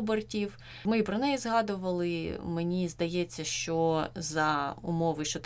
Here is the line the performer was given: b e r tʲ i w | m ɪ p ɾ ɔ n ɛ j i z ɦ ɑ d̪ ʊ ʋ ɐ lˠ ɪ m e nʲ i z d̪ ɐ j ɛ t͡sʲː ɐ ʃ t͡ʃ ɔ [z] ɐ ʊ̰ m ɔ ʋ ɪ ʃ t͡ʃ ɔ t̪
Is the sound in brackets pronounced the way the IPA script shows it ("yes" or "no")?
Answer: yes